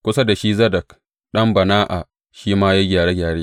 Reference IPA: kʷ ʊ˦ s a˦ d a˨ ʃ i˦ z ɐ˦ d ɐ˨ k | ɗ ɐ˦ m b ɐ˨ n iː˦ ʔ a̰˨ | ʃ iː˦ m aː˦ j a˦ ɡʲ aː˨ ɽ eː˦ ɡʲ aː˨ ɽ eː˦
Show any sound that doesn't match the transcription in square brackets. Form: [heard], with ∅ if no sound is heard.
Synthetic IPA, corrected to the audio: kʷ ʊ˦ s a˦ d a˨ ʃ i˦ z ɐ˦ d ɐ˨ k | ɗ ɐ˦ m b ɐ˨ n [aː˦] ʔ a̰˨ | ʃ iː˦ m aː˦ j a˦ ɡʲ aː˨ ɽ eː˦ ɡʲ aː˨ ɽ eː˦